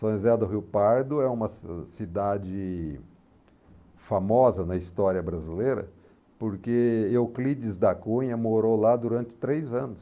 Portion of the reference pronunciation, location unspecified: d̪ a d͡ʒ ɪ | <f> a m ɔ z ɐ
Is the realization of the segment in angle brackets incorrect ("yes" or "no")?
no